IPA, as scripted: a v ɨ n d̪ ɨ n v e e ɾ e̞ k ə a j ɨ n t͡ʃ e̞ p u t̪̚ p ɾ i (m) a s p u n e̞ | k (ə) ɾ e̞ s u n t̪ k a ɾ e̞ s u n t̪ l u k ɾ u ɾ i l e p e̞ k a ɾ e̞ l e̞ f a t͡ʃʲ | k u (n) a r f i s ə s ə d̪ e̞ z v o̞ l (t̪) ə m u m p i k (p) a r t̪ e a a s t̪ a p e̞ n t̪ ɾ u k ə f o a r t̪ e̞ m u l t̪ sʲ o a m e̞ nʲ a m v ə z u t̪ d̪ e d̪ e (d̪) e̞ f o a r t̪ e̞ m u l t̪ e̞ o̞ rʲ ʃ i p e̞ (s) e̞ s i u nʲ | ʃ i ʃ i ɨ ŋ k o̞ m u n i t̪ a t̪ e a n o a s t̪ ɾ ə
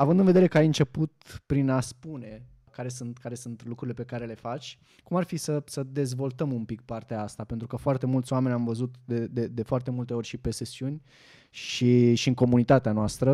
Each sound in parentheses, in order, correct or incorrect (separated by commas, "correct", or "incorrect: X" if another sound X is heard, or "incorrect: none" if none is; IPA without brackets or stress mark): incorrect: n, incorrect: a, incorrect: m, correct, correct, correct, correct